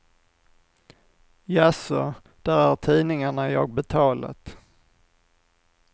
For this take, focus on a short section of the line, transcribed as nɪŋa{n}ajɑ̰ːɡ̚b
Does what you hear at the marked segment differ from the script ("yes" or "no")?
yes